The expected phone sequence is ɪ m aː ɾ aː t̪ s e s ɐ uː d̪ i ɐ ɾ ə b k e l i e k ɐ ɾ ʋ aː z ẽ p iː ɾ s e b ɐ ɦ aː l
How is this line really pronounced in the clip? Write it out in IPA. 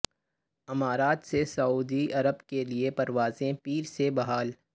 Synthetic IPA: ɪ m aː ɾ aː t̪ s e s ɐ uː d̪ i ɐ ɾ ə b k e l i e p ɐ ɾ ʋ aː z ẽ p iː ɾ s e b ɐ ɦ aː l